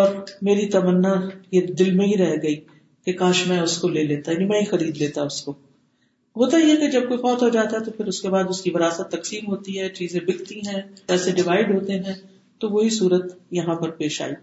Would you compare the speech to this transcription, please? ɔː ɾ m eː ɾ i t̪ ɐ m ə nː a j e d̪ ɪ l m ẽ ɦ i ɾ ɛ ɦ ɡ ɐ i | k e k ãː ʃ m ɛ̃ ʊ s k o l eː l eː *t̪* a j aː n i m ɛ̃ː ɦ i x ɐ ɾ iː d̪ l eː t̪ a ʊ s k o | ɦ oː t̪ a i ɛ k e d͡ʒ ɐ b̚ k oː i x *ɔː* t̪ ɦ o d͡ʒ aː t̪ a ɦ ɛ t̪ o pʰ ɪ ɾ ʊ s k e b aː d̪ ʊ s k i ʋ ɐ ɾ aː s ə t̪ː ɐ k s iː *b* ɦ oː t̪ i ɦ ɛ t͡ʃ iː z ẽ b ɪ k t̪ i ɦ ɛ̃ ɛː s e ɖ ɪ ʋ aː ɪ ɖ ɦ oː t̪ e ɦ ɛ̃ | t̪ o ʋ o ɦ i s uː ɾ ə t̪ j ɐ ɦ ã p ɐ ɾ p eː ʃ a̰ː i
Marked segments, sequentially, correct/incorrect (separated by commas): correct, correct, incorrect